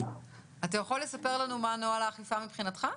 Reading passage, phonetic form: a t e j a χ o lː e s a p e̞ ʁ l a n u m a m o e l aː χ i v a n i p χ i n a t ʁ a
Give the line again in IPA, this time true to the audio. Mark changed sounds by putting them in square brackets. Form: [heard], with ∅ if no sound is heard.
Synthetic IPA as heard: a t [a] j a χ o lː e s a p e̞ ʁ l a n u m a [n] o [a] l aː χ i [f] a [m] i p χ i n a t [χ] a